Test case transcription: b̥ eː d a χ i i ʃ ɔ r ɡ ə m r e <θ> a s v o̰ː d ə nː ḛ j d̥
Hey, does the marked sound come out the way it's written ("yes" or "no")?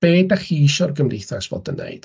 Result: yes